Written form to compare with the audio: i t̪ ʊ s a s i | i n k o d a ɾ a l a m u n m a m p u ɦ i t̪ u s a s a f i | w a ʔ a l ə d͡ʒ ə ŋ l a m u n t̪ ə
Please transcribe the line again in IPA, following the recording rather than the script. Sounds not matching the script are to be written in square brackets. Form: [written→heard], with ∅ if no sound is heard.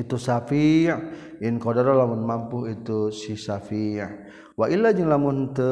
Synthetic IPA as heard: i t̪ [ʊ→u] s a [s→f] i | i n k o d a ɾ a l a m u n m a m p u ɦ i t̪ u s [a→i] s a f i | w a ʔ [a→i] l [ə→a] d͡ʒ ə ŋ l a m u n t̪ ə